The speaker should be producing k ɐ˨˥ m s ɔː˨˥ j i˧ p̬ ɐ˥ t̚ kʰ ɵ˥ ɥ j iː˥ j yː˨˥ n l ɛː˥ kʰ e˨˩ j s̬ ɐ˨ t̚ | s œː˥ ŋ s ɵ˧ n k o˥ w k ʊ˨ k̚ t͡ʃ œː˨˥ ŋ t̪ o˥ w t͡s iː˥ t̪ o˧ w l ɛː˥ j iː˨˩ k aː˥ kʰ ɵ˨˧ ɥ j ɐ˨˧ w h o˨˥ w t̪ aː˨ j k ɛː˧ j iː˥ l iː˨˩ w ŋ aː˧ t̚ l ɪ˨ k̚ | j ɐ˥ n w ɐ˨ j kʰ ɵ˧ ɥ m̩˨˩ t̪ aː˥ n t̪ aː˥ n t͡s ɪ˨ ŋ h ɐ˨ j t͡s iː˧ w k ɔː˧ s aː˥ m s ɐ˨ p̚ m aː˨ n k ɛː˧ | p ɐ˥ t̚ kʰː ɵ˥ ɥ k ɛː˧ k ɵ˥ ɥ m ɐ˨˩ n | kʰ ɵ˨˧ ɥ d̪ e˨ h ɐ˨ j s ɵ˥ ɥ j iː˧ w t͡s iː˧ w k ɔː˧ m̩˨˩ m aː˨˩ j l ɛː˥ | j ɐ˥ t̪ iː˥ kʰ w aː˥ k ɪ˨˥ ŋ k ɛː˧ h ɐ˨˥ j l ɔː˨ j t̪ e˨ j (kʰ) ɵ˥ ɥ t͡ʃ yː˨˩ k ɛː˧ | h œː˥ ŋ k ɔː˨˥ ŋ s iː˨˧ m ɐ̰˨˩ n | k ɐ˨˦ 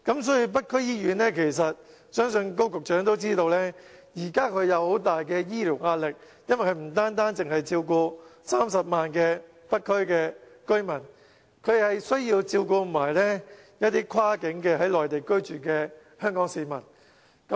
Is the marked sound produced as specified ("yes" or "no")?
no